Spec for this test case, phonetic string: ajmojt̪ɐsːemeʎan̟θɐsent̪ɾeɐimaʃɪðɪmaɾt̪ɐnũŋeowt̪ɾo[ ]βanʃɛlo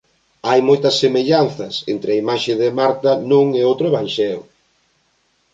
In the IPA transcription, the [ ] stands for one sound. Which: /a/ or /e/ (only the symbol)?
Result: e